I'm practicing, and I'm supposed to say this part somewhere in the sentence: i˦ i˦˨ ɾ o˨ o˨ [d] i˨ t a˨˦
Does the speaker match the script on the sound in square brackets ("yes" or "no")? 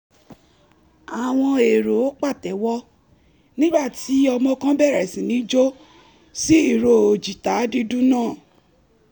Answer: no